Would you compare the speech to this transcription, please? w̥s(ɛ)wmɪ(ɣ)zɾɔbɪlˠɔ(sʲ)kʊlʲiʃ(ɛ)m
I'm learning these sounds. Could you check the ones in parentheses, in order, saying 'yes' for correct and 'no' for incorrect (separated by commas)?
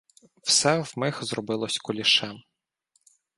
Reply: yes, no, yes, yes